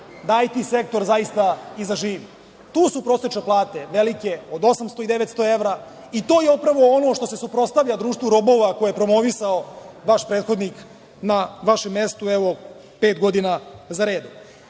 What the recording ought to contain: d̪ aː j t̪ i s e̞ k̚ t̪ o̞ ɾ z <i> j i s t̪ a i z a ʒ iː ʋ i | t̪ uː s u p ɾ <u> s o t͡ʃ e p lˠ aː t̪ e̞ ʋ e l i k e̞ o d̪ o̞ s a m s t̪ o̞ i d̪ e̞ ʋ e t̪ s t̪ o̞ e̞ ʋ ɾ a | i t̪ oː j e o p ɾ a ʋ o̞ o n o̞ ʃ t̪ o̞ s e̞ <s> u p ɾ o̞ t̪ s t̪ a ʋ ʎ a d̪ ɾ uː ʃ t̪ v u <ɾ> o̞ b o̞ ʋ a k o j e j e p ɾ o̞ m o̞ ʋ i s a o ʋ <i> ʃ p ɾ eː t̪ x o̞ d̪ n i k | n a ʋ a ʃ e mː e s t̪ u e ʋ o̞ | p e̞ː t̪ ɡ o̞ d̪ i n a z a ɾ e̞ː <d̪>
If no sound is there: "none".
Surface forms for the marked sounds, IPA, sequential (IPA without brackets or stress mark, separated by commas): a, o, s, ɾ, a, d̪